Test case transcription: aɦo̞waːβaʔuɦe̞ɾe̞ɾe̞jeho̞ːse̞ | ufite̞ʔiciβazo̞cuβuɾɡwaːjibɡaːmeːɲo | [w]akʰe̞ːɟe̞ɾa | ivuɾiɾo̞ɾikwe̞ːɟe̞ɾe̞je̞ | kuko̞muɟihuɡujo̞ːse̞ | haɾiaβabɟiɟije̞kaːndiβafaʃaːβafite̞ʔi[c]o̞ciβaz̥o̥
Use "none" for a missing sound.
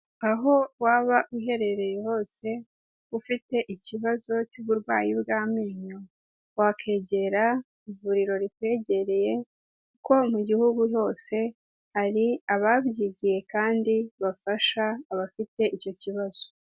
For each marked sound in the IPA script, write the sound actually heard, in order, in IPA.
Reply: w, c

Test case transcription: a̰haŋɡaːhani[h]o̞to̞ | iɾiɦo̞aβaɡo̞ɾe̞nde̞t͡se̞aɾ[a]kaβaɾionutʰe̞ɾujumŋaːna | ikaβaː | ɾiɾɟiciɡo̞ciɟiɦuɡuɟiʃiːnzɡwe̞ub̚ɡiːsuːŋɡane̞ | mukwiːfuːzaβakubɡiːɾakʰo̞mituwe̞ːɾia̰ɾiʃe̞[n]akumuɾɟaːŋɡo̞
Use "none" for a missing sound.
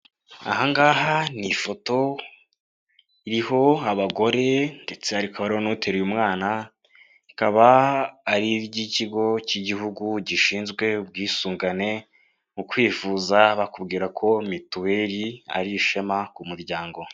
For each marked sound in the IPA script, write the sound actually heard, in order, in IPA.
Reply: f, i, m

